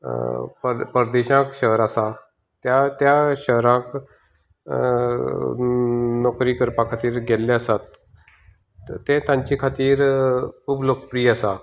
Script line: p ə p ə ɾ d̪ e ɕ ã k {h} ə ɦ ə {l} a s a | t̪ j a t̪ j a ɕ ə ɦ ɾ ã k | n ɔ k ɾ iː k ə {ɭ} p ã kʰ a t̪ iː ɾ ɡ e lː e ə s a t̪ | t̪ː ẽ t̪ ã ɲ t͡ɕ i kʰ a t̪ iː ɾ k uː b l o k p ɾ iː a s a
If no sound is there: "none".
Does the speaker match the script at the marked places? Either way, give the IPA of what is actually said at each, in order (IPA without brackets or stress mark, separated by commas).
ɕ, ɾ, ɾ